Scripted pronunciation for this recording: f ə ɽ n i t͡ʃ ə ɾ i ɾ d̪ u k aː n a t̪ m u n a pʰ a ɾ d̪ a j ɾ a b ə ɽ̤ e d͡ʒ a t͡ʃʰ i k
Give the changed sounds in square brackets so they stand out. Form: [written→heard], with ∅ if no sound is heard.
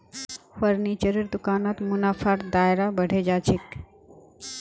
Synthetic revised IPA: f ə [ɽ→ɾ] n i t͡ʃ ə ɾ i ɾ d̪ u k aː n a t̪ m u n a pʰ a ɾ d̪ a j ɾ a b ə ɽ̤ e d͡ʒ a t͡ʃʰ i k

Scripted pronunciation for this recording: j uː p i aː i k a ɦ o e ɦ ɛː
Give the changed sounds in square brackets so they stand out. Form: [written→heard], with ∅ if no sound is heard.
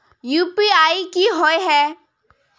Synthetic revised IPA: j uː p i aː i k [a→i] ɦ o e ɦ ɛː

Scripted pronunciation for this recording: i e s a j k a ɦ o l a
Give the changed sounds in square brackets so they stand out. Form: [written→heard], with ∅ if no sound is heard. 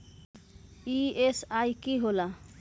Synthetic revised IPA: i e s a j k [a→i] ɦ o l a

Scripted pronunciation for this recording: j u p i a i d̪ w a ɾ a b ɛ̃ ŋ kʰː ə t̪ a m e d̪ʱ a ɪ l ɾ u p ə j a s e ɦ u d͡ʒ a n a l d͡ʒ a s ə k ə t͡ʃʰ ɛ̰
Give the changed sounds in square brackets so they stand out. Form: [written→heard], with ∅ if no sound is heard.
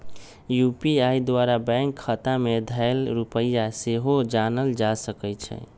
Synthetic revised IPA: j u p i a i d̪ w a ɾ a b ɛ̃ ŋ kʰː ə t̪ a m e d̪ʱ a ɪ l ɾ u p ə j a s e ɦ [u→o] d͡ʒ a n [a→ə] l d͡ʒ a s ə k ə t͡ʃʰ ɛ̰

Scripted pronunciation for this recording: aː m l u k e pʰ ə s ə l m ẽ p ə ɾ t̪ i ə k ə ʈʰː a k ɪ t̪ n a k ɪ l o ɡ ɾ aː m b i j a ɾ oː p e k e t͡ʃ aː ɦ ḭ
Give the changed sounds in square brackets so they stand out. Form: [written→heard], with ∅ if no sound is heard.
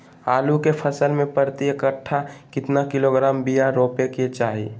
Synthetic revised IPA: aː [m→∅] l u k e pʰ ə s ə l m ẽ p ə ɾ t̪ i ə k ə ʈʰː a k ɪ t̪ n a k ɪ l o ɡ ɾ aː m b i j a ɾ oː p e k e t͡ʃ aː ɦ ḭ

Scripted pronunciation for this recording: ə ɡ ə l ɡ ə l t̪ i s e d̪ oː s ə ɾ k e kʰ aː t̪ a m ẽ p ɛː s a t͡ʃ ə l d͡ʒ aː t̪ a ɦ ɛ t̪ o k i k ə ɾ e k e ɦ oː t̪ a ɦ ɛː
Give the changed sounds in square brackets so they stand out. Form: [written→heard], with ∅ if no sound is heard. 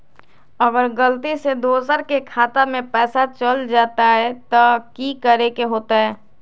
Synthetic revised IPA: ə ɡ ə [l→ɾ] ɡ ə l t̪ i s e d̪ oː s ə ɾ k e kʰ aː t̪ a m ẽ p ɛː s a t͡ʃ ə l d͡ʒ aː t̪ a ɦ ɛ t̪ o k i k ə ɾ e k e ɦ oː t̪ a ɦ ɛː

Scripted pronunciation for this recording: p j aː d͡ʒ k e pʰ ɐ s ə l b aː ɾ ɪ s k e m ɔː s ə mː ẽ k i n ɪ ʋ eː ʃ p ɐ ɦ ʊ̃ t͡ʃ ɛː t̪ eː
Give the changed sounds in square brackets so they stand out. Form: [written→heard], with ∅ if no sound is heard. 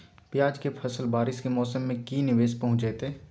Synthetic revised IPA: p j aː d͡ʒ k e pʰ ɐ s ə l b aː ɾ ɪ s k e m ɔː s ə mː ẽ k i n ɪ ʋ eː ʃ p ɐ ɦ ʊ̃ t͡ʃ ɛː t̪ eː

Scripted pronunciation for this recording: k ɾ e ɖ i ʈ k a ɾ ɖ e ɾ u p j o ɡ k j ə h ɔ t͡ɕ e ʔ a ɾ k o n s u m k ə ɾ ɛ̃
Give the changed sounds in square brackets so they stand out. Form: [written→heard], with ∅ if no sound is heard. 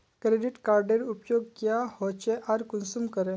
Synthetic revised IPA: k ɾ e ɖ i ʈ k a ɾ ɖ e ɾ u p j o ɡ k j [ə→a] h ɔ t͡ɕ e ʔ a ɾ k [o→u] n s u m k ə ɾ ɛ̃

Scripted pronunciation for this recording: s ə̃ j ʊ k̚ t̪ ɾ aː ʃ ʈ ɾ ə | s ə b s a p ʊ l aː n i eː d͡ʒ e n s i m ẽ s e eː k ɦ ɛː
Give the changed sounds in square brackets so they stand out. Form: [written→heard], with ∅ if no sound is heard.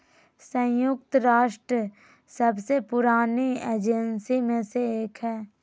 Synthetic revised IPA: s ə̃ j ʊ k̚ t̪ ɾ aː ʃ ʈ ɾ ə | s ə b s [a→e] p ʊ [l→ɾ] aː n i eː d͡ʒ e n s i m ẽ s e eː k ɦ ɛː

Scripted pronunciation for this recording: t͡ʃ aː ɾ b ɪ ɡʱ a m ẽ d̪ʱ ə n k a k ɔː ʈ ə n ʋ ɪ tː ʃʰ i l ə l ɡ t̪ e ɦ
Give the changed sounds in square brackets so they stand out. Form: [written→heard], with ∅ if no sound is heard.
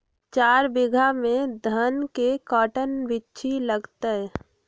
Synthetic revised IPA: t͡ʃ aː ɾ b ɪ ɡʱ a m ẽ d̪ʱ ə n k [a→e] k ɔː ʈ ə n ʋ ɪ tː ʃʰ i l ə [l→∅] ɡ t̪ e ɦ

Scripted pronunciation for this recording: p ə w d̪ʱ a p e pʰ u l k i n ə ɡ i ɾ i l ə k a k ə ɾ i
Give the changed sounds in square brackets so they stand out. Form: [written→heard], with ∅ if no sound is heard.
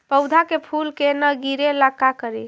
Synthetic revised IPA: p ə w d̪ʱ a [p→k] e pʰ u l k [i→e] n ə ɡ i ɾ [i→e] l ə k a k ə ɾ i

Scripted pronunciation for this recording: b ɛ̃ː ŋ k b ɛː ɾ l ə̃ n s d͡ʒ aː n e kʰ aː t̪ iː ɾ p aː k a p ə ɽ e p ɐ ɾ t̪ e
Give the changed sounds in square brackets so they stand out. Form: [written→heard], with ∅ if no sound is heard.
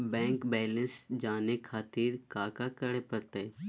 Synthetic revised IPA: b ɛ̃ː ŋ k b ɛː [ɾ→∅] l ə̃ n s d͡ʒ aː n e kʰ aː t̪ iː ɾ [p→k] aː k a [p→k] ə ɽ e p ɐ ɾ t̪ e

